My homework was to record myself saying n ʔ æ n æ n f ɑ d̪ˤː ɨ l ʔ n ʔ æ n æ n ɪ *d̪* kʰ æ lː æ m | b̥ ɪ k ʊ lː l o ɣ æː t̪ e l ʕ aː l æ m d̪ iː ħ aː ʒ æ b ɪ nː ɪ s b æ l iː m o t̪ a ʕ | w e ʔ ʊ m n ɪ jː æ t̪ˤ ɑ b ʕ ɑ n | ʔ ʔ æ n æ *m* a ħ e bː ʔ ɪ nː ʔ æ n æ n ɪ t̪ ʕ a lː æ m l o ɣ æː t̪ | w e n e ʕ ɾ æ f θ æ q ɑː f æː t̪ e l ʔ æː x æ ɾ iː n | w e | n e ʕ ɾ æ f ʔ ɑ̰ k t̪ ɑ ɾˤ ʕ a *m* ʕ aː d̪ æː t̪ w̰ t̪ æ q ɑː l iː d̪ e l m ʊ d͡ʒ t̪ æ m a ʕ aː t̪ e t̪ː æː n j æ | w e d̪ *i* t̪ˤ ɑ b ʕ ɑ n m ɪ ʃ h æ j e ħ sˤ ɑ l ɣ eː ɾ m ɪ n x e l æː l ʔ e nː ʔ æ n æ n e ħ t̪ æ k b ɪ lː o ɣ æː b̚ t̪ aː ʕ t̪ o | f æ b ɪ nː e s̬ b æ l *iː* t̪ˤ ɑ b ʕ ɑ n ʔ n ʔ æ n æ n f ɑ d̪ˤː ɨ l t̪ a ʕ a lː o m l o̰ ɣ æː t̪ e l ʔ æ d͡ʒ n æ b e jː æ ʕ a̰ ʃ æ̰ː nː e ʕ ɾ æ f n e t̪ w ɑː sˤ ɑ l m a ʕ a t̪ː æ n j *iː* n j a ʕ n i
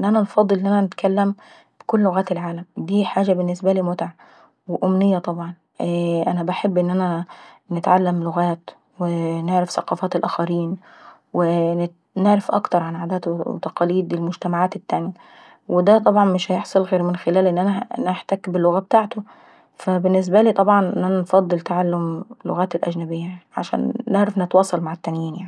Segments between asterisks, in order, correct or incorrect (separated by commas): incorrect, incorrect, incorrect, incorrect, correct, correct